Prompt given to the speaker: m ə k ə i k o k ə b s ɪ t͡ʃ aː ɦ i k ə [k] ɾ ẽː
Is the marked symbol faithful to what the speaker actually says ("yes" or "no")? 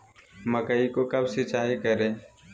no